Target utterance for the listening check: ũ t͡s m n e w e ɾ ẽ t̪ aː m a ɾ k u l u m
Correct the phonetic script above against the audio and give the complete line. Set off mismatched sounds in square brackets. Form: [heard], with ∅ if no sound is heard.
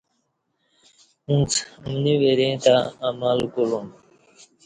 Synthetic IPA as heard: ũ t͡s m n [i] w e ɾ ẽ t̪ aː m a [l] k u l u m

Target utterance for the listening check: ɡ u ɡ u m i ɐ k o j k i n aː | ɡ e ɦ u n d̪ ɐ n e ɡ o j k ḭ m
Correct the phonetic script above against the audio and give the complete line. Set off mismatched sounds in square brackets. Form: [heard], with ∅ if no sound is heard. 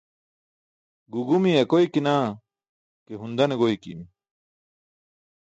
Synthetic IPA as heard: ɡ u ɡ u m i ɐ k o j k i n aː | [k] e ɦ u n d̪ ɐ n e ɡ o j k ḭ m

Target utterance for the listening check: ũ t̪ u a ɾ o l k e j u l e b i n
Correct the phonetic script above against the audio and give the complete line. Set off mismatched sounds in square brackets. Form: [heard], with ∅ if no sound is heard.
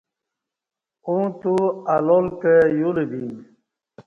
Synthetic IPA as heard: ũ t̪ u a [l] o l k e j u l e b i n

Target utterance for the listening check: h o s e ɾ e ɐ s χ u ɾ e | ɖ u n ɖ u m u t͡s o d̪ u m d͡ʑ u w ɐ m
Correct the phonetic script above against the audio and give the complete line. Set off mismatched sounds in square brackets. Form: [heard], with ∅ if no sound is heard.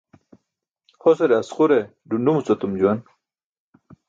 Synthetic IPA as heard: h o s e ɾ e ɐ s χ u ɾ e | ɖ u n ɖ u m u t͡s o [t̪] u m d͡ʑ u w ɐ [n]

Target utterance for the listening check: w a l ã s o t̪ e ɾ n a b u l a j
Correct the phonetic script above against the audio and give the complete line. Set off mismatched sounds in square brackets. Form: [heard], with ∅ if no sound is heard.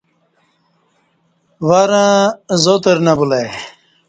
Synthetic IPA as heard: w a [ɾ] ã [z] o t̪ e ɾ n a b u l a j

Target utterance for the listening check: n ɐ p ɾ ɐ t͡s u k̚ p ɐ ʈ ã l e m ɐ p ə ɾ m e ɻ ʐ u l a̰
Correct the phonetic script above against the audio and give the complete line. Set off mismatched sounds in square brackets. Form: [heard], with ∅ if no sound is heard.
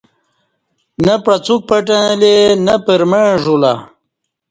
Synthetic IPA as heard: n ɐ p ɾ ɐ t͡s u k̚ p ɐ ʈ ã l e [n] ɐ p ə ɾ m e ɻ ʐ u l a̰

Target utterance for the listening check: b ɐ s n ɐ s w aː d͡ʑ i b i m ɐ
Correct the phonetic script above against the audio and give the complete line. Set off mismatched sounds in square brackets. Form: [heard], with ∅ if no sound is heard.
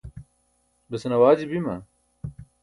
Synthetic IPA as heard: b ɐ s n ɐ [∅] w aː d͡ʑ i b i m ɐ

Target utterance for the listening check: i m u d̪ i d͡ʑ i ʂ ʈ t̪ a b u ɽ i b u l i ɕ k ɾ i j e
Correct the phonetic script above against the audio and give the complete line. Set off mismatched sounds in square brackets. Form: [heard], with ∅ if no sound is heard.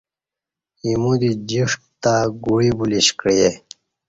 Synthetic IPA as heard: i m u d̪ i d͡ʑ i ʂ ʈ t̪ a [ɡ] u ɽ i b u l i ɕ k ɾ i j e

